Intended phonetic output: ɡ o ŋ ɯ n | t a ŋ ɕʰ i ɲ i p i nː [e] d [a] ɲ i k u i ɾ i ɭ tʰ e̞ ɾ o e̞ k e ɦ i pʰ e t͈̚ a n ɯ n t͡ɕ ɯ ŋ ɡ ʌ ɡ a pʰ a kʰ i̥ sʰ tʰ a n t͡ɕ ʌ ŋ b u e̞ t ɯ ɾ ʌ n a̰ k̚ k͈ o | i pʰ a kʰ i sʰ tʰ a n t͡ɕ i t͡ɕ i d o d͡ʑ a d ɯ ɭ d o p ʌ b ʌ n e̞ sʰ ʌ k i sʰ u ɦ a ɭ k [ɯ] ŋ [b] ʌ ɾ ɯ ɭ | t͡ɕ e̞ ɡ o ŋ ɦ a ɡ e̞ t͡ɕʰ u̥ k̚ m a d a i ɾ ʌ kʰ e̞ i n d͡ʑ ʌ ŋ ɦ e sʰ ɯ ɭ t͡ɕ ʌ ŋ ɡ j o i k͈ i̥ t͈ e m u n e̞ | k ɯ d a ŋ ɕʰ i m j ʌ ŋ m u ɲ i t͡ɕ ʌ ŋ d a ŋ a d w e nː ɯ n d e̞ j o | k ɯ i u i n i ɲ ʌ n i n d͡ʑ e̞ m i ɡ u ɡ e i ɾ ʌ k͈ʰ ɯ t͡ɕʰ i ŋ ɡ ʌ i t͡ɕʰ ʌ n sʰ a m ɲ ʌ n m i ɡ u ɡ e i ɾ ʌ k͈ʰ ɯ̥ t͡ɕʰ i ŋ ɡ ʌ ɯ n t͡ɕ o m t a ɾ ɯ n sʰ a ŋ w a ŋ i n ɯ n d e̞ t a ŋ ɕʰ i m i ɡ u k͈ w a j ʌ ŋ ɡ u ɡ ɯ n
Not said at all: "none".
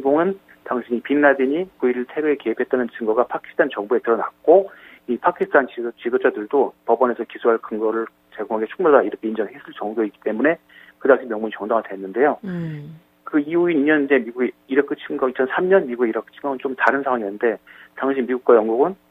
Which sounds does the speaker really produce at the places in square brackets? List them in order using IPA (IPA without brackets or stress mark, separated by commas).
a, i, ɯ, ɡ